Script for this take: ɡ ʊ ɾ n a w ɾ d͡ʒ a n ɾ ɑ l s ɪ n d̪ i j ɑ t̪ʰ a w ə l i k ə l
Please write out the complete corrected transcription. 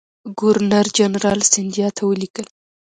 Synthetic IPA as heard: ɡ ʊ ɾ n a ɾ d͡ʒ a n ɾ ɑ l s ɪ n d̪ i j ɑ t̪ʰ a w ə l i k ə l